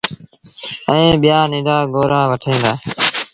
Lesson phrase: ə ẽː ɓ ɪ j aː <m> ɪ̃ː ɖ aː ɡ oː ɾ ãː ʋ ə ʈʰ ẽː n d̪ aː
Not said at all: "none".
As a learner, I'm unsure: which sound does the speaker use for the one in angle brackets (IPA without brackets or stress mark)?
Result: n